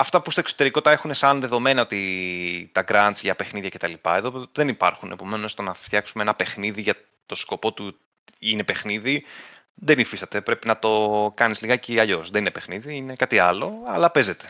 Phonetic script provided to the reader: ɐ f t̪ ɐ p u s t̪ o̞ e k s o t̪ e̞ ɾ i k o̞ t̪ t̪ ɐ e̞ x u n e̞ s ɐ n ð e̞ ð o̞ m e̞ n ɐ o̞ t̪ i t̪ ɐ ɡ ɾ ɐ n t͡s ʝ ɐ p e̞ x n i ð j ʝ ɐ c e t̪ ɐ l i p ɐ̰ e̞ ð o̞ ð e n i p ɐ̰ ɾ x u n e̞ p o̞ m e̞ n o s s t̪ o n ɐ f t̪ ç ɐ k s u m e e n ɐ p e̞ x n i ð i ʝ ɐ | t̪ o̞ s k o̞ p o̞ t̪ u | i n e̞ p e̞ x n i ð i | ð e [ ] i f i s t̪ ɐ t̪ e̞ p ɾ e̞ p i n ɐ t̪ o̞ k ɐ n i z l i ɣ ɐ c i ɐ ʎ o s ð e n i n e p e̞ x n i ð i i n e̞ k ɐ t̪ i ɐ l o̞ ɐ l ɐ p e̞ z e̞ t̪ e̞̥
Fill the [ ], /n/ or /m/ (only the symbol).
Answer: n